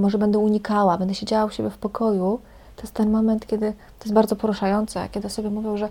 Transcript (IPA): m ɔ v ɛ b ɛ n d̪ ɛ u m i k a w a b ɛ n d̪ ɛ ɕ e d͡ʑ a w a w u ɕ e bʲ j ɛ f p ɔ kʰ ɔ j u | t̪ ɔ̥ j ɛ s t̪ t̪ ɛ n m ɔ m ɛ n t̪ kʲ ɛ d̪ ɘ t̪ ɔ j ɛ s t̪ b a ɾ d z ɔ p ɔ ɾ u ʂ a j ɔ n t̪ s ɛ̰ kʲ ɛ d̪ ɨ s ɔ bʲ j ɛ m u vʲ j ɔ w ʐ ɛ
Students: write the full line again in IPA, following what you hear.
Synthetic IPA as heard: m ɔ ʐ ɛ b ɛ n d̪ ɛ u ɲ i k a w a b ɛ n d̪ ɛ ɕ e d͡ʑ a w a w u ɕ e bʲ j ɛ f p ɔ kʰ ɔ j u | t̪ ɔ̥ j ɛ s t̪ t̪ ɛ n m ɔ m ɛ n t̪ kʲ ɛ d̪ ɘ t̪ ɔ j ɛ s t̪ b a ɾ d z ɔ p ɔ ɾ u ʂ a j ɔ n t̪ s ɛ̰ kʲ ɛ d̪ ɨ s ɔ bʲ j ɛ m u vʲ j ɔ w ʐ ɛ